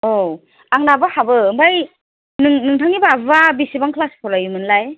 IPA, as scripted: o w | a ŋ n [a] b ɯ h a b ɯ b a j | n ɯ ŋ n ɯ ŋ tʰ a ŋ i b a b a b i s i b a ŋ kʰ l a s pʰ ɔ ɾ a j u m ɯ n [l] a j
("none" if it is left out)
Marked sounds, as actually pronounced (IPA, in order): a, l

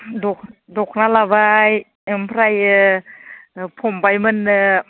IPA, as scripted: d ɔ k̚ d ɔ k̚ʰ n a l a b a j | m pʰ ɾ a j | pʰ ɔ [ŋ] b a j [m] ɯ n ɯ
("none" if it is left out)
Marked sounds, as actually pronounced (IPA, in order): m, m

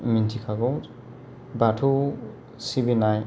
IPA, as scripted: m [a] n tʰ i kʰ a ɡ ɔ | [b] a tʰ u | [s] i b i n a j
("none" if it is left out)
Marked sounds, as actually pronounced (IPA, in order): i, b, s

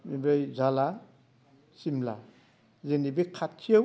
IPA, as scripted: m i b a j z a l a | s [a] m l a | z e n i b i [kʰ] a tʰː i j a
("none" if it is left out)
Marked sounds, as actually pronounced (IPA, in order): i, kʰ

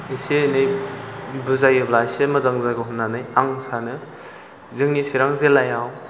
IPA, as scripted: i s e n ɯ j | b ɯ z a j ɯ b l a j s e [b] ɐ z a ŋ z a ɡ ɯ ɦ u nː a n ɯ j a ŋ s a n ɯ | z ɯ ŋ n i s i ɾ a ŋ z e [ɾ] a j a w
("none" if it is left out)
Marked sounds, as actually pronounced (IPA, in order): m, l

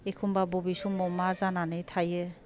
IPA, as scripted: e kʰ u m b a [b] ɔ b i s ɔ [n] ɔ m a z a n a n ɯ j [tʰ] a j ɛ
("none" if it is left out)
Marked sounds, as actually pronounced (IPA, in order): b, m, tʰ

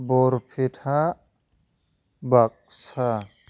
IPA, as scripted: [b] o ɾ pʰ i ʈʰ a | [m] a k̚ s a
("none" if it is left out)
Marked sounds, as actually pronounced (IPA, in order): b, b

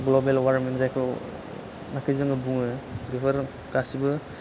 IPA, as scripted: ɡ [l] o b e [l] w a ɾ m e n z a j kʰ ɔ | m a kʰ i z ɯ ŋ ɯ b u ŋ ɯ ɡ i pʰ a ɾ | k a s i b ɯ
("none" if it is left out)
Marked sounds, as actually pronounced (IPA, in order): l, l

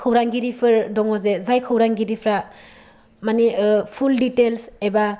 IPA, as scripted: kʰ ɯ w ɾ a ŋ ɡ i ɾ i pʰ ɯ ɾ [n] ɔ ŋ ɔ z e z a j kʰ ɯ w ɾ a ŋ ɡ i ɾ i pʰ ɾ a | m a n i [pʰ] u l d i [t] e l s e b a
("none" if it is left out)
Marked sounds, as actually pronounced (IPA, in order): d, pʰ, t

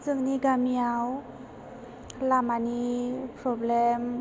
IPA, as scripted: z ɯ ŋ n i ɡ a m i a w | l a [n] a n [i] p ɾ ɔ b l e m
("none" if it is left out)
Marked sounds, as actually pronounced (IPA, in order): m, i

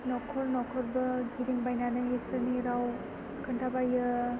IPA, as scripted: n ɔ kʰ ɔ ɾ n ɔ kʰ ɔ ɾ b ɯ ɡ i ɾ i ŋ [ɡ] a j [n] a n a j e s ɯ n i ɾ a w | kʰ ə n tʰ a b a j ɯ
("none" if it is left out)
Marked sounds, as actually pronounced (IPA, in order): b, n

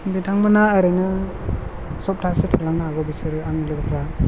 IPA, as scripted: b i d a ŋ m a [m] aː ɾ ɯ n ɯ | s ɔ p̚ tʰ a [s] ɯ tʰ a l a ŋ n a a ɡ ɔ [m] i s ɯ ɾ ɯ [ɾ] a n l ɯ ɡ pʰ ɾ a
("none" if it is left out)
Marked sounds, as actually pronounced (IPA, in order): n, s, b, none

